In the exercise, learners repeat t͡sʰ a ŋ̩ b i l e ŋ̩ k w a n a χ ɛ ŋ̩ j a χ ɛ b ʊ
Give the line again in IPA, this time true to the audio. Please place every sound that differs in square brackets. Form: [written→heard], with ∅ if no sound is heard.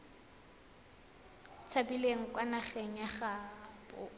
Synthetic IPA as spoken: t͡sʰ a [ŋ̩→∅] b i l e ŋ̩ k w a n a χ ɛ ŋ̩ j a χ [ɛ→a] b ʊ